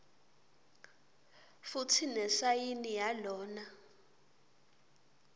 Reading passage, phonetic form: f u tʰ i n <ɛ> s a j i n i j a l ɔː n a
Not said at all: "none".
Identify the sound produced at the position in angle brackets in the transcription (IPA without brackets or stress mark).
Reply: ɛ